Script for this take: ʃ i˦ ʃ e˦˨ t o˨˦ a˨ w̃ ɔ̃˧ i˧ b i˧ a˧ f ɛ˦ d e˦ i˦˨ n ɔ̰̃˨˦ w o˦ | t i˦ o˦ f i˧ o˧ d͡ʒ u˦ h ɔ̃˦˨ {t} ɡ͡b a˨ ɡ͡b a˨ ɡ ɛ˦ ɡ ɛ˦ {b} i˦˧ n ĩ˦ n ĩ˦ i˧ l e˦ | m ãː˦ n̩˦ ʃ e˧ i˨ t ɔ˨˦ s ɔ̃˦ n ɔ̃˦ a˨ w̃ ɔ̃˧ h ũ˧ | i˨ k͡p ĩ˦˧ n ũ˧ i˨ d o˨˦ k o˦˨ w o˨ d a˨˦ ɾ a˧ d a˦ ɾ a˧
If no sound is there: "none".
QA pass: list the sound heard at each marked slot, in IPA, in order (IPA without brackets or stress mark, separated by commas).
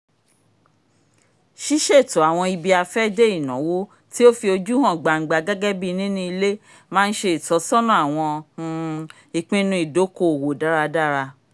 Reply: none, b